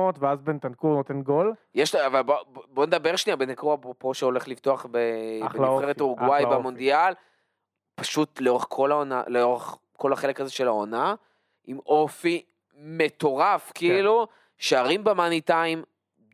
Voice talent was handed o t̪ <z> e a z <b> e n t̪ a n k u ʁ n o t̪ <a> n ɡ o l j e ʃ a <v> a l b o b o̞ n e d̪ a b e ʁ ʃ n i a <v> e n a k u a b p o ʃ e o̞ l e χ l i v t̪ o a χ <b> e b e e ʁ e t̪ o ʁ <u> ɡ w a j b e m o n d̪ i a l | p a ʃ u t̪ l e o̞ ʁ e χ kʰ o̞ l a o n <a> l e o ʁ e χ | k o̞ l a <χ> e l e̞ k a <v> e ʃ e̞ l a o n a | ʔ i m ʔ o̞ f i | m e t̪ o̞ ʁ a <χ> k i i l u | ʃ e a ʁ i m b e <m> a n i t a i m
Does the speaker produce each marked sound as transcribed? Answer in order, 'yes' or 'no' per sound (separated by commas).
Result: no, yes, no, yes, no, yes, yes, yes, yes, no, no, yes